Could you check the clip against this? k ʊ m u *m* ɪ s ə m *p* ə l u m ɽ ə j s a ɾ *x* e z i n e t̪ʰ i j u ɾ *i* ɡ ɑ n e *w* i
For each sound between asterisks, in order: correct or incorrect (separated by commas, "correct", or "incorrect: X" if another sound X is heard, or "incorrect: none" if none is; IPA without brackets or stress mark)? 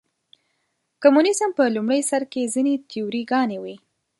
incorrect: n, correct, incorrect: k, correct, correct